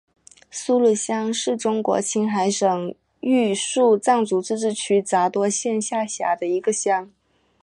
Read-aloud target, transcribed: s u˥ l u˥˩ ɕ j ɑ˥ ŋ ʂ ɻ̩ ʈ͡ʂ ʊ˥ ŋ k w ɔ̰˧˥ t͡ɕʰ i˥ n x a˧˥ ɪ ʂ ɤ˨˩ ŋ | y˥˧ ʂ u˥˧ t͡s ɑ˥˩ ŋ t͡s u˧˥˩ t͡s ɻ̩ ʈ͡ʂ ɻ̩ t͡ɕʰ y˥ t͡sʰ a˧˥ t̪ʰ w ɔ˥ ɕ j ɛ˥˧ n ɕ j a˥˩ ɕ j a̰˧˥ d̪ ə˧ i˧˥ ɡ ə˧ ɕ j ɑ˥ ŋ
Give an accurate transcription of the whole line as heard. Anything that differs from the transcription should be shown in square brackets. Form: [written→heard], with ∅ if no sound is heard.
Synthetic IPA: s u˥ l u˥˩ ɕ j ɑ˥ ŋ ʂ ɻ̩ ʈ͡ʂ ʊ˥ ŋ k w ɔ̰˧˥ t͡ɕʰ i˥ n x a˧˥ ɪ ʂ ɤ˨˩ ŋ | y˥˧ ʂ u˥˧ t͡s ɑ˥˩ ŋ t͡s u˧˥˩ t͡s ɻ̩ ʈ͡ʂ ɻ̩ t͡ɕʰ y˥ [t͡sʰ→t͡s] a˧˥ [t̪ʰ→t̪] w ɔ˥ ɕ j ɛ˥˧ n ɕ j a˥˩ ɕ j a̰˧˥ d̪ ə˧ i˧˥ ɡ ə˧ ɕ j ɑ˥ ŋ